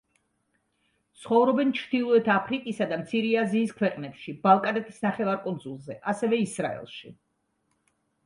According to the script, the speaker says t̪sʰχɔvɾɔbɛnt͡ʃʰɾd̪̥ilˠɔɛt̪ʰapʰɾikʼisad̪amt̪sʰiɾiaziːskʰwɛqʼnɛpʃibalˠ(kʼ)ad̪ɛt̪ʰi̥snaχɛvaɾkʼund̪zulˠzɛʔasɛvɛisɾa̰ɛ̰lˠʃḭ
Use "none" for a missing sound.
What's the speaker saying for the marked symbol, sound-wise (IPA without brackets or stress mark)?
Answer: kʼ